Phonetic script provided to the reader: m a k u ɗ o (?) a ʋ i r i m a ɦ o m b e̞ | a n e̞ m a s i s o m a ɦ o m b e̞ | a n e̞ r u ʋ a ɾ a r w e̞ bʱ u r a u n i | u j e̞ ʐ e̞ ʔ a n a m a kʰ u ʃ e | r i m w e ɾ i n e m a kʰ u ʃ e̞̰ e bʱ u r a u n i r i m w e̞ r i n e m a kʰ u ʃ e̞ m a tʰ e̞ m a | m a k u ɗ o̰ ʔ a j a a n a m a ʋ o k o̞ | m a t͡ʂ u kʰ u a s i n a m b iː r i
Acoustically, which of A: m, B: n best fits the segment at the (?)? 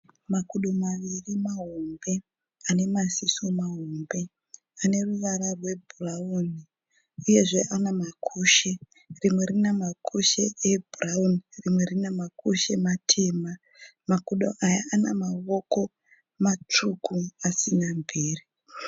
A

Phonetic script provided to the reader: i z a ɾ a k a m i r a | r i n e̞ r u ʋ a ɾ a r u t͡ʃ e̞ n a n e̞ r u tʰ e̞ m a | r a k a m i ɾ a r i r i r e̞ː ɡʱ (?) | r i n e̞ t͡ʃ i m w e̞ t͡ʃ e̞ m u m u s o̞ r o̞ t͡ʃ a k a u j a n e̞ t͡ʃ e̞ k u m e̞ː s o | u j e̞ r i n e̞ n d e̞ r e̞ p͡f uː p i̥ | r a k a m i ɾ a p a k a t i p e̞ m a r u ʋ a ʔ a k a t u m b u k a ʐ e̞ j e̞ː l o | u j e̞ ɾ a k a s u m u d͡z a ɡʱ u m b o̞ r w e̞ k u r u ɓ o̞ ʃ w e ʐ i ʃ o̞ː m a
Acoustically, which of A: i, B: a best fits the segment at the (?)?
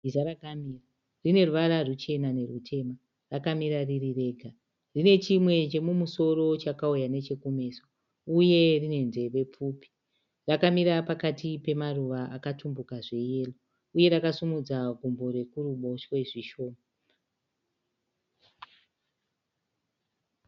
B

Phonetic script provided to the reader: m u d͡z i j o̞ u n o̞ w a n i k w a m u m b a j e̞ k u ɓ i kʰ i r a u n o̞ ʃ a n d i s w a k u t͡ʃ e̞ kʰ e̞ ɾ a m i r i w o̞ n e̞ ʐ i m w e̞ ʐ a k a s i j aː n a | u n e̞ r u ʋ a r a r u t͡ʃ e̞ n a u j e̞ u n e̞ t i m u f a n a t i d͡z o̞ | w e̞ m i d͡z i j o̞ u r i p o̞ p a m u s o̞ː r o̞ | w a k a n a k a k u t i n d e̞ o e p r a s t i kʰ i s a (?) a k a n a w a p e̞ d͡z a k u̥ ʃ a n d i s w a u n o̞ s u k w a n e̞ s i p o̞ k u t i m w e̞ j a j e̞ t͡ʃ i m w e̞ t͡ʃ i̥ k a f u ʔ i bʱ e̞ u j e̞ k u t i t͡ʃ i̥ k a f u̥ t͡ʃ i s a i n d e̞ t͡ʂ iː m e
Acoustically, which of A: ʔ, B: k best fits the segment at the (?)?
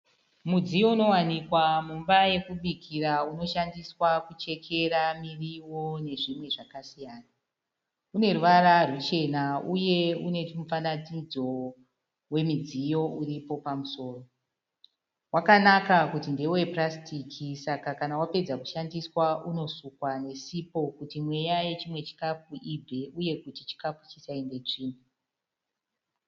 B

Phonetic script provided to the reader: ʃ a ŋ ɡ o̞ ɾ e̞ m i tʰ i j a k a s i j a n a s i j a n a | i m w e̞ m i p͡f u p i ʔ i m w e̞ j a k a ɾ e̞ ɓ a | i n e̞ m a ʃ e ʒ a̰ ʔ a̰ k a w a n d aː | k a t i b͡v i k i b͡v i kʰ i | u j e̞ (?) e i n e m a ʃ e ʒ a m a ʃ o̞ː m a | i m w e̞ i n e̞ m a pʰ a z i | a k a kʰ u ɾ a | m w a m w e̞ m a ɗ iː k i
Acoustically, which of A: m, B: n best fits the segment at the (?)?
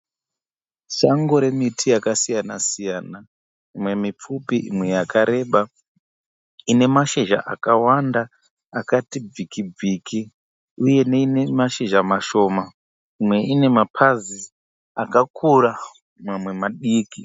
B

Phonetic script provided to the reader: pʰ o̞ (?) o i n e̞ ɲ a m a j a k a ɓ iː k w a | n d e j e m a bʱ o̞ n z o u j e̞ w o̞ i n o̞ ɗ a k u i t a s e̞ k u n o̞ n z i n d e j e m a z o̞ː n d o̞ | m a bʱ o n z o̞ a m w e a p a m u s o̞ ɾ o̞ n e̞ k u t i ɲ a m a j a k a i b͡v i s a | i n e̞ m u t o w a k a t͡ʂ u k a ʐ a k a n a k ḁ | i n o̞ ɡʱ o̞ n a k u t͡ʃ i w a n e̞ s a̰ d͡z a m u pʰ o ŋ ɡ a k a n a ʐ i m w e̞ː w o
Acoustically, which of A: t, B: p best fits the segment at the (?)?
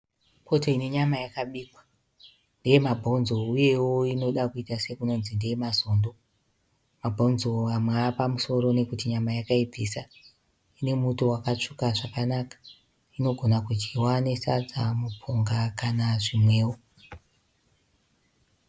A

